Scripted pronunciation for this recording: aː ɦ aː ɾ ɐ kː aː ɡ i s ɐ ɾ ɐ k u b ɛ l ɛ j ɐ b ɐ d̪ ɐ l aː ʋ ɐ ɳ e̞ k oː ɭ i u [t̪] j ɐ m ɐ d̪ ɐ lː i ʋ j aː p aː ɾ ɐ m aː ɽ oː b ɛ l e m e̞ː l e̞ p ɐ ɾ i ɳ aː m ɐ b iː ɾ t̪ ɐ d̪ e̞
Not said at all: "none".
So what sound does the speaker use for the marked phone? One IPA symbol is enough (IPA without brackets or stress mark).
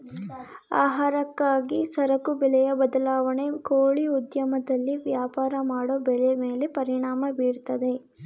d̪